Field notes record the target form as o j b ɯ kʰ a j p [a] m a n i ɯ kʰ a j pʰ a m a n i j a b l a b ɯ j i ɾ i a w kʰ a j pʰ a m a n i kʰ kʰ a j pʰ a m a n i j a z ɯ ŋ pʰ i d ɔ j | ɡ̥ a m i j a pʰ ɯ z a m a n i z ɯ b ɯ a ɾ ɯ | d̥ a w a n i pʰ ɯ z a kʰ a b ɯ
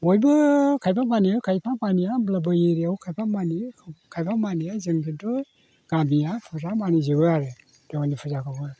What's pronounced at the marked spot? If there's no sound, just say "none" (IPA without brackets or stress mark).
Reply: a